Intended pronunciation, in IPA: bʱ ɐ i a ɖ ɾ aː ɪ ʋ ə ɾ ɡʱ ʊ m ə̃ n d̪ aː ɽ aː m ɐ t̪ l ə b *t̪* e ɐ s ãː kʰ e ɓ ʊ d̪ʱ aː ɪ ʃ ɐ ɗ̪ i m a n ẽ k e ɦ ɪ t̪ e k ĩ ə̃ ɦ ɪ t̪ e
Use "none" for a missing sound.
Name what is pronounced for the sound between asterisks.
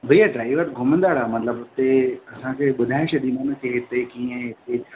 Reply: t̪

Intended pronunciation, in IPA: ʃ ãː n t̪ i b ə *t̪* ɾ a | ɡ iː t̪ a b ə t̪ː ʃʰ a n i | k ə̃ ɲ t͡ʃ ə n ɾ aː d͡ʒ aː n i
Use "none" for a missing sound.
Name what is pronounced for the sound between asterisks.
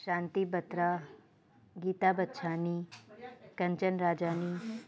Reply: t̪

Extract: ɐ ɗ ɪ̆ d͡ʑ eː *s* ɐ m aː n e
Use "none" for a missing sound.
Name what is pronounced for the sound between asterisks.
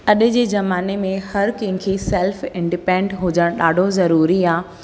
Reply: z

